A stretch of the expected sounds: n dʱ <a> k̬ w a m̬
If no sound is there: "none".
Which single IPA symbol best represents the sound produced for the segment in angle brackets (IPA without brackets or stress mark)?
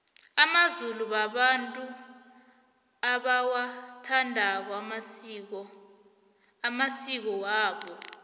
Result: a